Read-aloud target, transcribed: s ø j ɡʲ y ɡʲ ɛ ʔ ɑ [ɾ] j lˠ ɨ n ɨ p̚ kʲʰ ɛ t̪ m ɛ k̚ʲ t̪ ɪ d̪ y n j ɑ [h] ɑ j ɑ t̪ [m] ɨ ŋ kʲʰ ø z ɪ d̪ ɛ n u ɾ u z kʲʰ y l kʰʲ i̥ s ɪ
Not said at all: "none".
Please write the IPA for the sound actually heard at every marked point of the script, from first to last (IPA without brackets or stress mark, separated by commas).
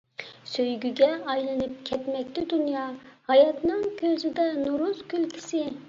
none, h, n